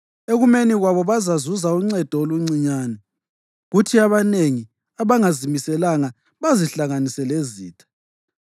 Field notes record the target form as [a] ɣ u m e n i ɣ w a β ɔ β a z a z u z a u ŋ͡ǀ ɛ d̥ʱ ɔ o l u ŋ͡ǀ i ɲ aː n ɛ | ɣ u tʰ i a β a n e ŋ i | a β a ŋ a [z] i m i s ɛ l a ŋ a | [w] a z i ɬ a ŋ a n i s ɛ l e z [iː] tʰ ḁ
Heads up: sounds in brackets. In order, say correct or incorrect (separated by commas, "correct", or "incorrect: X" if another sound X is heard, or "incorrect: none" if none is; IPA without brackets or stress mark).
incorrect: e, correct, incorrect: β, correct